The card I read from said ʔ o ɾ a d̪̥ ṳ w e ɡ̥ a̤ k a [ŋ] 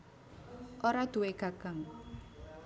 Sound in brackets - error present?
no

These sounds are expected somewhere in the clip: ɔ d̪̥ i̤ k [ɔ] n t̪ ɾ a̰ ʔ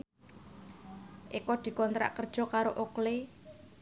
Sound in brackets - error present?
no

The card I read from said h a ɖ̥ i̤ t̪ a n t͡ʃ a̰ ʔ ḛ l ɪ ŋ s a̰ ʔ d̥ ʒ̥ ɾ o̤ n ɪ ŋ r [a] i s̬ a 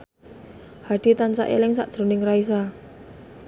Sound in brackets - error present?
no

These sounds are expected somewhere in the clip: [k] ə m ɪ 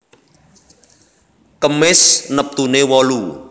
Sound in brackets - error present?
no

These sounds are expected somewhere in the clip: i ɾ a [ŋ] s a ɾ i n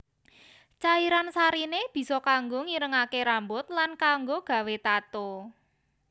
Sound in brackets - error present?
yes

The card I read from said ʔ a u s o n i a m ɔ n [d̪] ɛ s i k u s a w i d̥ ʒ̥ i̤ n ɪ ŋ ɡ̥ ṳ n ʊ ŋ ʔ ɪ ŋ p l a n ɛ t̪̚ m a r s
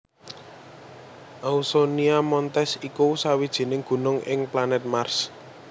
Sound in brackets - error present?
yes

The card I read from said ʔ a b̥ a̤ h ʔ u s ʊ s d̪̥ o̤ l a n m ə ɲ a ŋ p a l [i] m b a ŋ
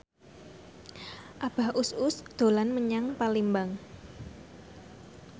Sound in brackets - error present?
no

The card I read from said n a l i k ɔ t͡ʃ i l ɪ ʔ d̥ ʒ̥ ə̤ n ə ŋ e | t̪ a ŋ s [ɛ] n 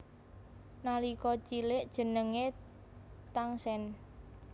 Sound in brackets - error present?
no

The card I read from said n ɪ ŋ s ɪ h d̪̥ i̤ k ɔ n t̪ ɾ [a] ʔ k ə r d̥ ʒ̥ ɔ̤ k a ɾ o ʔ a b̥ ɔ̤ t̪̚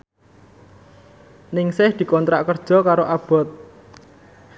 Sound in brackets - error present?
no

